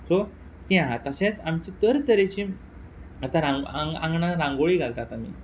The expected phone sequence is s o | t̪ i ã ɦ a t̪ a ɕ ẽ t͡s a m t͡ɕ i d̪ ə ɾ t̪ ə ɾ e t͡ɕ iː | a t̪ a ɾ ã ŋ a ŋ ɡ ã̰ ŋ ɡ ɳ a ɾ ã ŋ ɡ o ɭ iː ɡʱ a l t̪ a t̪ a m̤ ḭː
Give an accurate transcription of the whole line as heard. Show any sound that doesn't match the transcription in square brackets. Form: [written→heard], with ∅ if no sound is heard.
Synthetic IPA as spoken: s o | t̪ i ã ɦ a t̪ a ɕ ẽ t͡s a m t͡ɕ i [d̪→t̪] ə ɾ t̪ ə ɾ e t͡ɕ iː | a t̪ a ɾ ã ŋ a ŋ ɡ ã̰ ŋ ɡ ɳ a ɾ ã ŋ ɡ o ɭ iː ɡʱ a l t̪ a t̪ a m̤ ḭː